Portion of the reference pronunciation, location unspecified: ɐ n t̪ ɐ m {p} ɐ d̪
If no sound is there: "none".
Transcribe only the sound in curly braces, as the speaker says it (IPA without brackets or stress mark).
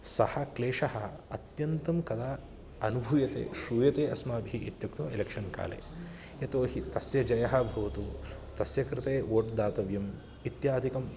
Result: k